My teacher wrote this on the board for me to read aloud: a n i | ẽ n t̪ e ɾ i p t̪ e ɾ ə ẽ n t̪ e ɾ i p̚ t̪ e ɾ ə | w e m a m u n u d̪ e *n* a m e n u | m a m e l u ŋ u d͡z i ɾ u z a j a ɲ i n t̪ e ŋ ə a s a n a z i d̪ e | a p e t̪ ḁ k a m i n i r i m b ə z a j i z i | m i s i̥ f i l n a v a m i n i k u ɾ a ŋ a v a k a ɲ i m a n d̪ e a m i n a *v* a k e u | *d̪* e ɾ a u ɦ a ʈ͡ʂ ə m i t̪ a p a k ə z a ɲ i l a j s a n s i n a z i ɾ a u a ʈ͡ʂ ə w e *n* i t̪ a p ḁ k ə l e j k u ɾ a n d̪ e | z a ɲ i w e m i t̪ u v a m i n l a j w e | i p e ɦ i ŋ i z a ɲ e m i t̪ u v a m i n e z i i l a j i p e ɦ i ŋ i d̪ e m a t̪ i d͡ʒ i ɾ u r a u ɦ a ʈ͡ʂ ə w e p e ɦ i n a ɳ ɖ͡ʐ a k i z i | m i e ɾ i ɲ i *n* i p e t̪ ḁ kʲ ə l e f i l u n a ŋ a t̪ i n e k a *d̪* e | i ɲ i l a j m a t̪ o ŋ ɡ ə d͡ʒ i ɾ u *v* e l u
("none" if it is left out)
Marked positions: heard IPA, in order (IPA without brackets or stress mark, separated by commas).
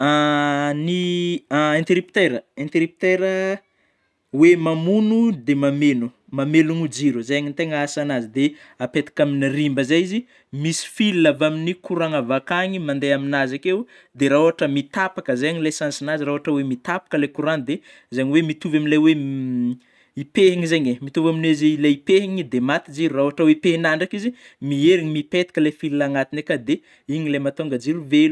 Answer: m, z, d̪, m, m, d̪, v